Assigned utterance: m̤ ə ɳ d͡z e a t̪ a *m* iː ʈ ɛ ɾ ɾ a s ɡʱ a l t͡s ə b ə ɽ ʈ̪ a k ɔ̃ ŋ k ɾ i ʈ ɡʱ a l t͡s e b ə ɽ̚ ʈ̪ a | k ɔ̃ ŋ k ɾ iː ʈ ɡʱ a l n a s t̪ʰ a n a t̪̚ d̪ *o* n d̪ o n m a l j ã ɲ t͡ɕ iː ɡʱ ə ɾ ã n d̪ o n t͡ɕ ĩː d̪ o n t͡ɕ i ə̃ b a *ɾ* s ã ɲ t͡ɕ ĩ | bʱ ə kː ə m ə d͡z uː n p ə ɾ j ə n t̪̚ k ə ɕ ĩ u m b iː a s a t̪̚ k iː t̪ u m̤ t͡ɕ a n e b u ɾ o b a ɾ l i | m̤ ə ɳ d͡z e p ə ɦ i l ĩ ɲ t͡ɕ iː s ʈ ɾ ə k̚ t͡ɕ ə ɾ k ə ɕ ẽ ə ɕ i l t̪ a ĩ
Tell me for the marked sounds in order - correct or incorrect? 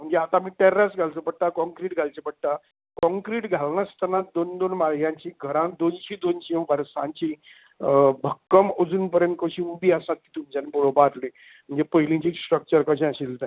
correct, correct, correct

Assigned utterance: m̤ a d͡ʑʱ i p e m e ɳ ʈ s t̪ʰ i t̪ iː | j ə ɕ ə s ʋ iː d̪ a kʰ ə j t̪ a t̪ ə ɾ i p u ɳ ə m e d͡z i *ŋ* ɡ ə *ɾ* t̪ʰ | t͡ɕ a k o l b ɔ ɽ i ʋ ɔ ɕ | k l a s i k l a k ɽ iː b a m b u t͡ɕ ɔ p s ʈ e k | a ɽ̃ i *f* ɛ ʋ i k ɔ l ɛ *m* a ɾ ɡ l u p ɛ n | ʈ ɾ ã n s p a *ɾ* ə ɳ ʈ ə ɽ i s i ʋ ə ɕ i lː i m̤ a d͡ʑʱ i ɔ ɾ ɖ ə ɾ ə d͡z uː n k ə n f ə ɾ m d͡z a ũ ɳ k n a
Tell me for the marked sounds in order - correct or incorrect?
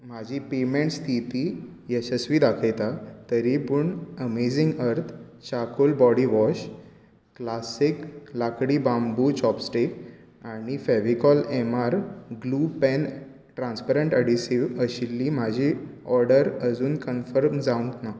correct, correct, correct, correct, correct

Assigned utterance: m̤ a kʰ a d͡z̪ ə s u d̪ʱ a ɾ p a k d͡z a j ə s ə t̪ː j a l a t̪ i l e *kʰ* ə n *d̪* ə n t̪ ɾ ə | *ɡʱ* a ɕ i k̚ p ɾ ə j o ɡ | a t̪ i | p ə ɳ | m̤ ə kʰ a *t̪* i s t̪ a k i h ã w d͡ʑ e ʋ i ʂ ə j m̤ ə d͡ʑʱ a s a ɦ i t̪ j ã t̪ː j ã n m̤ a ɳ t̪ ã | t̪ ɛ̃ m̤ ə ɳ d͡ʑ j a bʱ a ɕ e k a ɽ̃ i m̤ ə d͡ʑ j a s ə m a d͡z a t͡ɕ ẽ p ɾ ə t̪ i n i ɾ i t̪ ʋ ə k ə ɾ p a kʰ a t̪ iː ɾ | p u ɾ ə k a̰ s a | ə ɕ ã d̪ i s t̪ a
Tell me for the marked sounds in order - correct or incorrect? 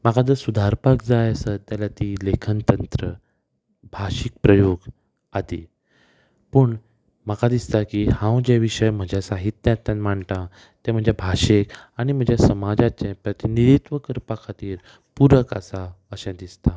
correct, incorrect: t̪, incorrect: bʱ, incorrect: d̪

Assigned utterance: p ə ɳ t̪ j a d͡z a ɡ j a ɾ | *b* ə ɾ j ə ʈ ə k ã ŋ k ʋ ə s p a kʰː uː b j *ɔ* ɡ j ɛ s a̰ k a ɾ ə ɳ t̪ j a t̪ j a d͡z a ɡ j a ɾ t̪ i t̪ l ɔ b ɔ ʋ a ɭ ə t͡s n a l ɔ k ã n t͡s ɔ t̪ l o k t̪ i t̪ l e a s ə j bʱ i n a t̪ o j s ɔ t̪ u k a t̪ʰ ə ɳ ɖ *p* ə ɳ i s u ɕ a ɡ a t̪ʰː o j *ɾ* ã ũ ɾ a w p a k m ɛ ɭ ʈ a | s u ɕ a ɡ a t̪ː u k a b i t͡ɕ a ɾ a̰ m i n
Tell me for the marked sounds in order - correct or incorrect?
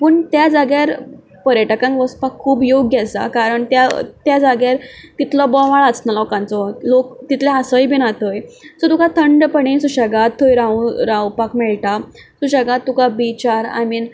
incorrect: p, incorrect: o, correct, correct

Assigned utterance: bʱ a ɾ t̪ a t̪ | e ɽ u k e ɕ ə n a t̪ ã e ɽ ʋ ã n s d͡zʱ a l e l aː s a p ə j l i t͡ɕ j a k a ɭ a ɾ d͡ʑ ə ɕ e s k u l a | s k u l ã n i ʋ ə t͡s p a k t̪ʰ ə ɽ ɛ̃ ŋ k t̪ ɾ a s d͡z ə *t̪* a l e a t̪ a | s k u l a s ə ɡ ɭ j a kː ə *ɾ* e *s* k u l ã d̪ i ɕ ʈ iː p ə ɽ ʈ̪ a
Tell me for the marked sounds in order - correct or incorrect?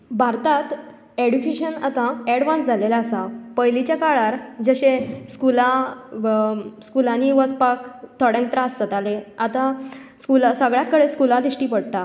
correct, incorrect: ɽ, correct

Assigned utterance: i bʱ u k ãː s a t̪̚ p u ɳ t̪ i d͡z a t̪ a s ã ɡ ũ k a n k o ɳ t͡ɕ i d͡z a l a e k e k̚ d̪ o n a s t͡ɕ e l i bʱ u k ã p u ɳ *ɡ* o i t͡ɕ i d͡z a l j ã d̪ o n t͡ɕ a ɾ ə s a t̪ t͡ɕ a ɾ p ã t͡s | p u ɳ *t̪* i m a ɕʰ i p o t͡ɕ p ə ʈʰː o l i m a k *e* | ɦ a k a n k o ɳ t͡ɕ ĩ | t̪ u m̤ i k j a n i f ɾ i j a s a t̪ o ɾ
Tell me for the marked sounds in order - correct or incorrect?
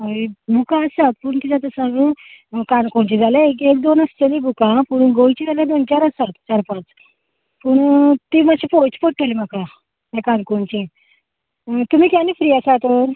correct, correct, incorrect: a

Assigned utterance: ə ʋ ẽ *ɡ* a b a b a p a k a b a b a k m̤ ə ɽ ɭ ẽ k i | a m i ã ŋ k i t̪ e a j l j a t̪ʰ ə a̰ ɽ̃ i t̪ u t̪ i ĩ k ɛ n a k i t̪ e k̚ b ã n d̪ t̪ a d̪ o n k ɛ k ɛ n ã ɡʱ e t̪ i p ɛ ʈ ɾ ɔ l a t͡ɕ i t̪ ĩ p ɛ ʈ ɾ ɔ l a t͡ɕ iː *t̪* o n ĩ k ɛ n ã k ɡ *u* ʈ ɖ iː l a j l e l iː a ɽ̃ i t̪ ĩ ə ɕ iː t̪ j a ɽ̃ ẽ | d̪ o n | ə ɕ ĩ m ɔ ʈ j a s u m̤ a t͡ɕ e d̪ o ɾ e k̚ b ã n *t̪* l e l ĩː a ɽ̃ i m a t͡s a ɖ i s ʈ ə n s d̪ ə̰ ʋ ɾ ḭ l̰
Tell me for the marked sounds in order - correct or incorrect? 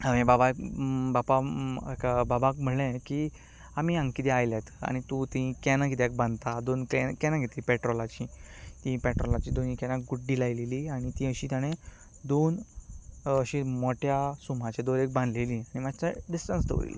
incorrect: b, incorrect: d̪, correct, incorrect: d̪

